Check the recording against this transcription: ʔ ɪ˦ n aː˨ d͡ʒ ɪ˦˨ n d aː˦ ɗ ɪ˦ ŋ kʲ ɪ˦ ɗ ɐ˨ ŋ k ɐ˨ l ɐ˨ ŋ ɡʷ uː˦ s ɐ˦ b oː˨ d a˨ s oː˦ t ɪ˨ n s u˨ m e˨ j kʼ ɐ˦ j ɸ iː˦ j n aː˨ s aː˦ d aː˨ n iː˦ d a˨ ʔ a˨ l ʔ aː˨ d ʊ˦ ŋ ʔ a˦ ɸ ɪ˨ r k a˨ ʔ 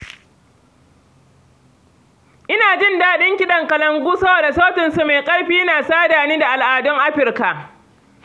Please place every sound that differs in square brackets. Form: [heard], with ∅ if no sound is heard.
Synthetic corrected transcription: ʔ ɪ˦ n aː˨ d͡ʒ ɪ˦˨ n d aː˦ ɗ ɪ˦ ŋ kʲ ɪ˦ ɗ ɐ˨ ŋ k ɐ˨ l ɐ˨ ŋ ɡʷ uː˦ s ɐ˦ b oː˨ d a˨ s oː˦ t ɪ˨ n s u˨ m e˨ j kʼ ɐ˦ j ɸ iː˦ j n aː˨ s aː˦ d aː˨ n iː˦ d a˨ ʔ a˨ l ʔ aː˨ d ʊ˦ ŋ ʔ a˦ ɸ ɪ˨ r k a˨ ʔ